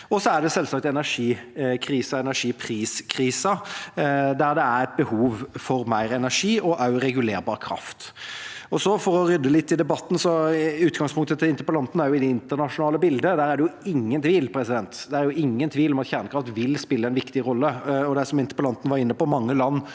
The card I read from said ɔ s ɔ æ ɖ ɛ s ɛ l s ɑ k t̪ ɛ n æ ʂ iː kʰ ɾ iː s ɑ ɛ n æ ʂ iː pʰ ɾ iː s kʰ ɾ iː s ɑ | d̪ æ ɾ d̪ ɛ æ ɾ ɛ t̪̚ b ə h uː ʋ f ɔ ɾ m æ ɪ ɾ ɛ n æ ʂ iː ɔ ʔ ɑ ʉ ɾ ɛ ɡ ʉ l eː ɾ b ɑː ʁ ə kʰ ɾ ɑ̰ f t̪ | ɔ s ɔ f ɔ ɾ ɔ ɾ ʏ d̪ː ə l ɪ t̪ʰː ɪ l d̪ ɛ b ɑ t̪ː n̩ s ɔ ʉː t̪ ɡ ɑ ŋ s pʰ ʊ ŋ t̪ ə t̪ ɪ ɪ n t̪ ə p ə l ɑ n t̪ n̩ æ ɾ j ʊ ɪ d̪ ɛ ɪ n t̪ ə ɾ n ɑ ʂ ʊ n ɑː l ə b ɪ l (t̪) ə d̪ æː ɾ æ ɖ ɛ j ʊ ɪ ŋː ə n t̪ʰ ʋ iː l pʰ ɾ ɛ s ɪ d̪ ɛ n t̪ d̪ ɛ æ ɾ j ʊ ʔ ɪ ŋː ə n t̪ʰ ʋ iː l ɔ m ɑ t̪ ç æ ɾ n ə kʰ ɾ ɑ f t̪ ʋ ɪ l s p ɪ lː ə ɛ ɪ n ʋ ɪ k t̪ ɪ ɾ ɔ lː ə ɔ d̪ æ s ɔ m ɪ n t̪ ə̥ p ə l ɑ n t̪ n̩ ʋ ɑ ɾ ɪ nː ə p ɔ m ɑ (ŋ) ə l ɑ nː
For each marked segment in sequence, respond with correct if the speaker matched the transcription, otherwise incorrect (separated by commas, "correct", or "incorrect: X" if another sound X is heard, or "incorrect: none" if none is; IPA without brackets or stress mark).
incorrect: d̪, incorrect: ŋː